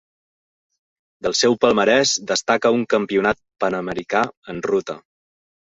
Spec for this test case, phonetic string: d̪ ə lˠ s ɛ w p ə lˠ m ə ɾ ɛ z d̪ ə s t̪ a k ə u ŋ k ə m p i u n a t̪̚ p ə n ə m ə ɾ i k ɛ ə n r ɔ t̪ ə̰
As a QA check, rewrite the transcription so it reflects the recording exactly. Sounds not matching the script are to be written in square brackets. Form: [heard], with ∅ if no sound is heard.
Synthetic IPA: d̪ ə lˠ s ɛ w p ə lˠ m ə ɾ ɛ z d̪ ə s t̪ a k ə u ŋ k ə m p i u n a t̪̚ p ə n ə m ə ɾ i k [a] ə n r [u] t̪ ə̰